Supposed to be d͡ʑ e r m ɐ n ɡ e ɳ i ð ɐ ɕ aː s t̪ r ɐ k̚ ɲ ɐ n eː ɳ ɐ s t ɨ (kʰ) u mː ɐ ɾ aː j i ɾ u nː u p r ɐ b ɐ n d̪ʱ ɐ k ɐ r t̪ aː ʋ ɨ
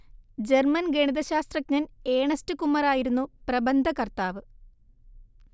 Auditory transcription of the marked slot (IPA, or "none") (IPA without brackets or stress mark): k